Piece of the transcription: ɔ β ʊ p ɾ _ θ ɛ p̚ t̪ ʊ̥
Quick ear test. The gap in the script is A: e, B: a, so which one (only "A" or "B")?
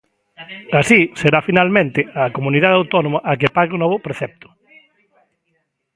A